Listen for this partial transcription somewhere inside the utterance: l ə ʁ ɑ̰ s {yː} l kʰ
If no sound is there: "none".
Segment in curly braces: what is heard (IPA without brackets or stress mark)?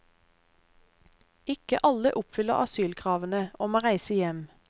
yː